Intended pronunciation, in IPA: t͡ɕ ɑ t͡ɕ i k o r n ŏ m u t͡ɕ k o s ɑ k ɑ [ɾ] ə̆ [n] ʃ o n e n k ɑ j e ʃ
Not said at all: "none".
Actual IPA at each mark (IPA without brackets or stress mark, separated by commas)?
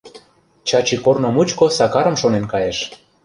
ɾ, m